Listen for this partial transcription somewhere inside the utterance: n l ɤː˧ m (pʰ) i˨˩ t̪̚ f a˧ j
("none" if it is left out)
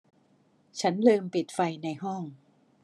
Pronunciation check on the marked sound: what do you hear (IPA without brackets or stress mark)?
p